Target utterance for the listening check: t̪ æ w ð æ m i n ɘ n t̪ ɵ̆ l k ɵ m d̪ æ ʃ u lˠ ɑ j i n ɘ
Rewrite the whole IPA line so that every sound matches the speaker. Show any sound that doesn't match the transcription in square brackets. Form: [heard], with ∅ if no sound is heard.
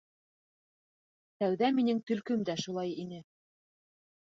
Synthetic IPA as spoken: t̪ æ w ð æ m i n ɘ [ŋ] t̪ ɵ̆ l k ɵ m d̪ æ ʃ u lˠ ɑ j i n ɘ

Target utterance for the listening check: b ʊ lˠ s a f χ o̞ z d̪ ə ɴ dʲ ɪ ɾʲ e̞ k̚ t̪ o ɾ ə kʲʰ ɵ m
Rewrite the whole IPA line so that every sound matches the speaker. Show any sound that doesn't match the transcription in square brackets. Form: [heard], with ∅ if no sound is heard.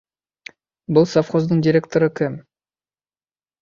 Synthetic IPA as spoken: b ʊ lˠ s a f χ o̞ z d̪ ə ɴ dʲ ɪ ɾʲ e̞ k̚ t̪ o ɾ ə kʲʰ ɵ m

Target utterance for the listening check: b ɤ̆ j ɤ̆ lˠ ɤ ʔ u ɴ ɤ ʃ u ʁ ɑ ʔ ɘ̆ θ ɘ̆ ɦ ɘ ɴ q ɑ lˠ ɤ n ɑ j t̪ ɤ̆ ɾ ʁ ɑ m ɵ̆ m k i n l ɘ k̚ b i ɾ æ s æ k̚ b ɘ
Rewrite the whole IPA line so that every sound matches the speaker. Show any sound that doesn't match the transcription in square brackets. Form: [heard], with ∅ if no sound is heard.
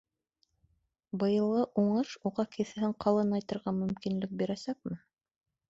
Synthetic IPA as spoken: b ɤ̆ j ɤ̆ lˠ ɤ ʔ u ɴ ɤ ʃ u ʁ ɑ [k] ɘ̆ θ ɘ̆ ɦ ɘ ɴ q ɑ lˠ ɤ n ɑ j t̪ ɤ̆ ɾ ʁ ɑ m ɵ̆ m k i n l ɘ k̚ b i ɾ æ s æ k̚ [m] ɘ

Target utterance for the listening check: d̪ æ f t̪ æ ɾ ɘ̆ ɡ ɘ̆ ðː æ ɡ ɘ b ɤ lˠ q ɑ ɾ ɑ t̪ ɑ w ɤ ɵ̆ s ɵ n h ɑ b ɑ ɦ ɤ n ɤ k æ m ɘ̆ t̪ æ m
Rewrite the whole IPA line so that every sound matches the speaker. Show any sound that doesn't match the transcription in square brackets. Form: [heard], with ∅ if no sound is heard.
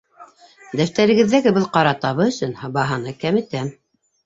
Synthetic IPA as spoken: d̪ æ f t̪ æ ɾ ɘ̆ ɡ ɘ̆ ðː æ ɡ ɘ b ɤ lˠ q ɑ ɾ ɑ t̪ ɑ [β] ɤ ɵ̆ s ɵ n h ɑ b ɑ ɦ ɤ n ɤ k æ m ɘ̆ t̪ æ m

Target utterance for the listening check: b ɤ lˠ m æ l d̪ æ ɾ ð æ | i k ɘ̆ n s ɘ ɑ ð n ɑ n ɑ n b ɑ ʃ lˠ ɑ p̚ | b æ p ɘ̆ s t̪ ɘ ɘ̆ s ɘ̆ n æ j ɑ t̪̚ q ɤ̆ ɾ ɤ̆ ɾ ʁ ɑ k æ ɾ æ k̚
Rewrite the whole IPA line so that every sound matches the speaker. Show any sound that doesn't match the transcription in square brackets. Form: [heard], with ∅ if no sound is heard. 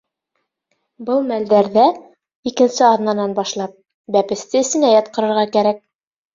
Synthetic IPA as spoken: b ɤ lˠ m æ l d̪ æ ɾ ð æ | i k ɘ̆ n s ɘ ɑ ð n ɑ n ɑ n b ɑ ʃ lˠ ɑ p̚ | b æ p ɘ̆ s t̪ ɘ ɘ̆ s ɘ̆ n æ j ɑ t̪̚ q ɤ̆ ɾ ɤ̆ ɾ ʁ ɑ k æ ɾ æ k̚

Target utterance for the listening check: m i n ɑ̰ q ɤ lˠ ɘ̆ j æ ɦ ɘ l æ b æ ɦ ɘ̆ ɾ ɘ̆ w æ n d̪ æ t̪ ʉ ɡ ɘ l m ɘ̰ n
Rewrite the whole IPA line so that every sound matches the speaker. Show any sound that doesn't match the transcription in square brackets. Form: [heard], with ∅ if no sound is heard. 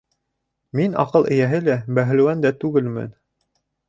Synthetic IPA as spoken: m i n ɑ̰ q ɤ lˠ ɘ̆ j æ ɦ ɘ l æ b æ ɦ ɘ̆ [l] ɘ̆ w æ n d̪ æ t̪ ʉ ɡ ɘ l m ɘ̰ n

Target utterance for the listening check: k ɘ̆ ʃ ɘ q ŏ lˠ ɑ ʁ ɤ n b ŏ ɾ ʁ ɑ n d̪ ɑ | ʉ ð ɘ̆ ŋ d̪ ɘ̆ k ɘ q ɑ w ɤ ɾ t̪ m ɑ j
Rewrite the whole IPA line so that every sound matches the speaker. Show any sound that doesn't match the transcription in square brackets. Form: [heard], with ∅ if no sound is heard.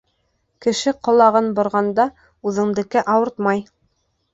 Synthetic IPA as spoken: k ɘ̆ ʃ ɘ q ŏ lˠ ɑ ʁ ɤ n b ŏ ɾ ʁ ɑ n d̪ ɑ | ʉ ð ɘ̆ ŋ d̪ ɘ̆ k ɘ [ʔ] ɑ w ɤ ɾ t̪ m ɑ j

